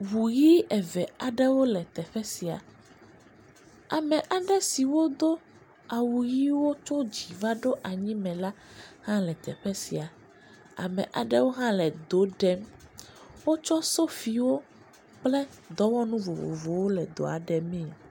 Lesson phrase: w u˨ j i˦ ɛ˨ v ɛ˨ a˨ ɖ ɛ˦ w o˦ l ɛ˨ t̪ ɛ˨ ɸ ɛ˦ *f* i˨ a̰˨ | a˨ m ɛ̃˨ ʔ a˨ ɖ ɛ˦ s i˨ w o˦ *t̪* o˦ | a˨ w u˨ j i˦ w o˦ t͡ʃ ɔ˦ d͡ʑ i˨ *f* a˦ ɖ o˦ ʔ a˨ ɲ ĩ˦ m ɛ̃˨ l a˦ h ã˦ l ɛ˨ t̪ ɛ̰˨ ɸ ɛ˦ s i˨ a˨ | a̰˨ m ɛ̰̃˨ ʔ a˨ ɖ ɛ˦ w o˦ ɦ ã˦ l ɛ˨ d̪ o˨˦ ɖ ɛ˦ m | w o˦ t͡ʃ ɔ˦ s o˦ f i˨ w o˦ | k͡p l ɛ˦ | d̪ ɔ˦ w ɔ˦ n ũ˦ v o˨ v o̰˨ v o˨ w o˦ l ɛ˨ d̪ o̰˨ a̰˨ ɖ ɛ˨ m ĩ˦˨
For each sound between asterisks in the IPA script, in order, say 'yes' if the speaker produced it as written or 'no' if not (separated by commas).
no, no, no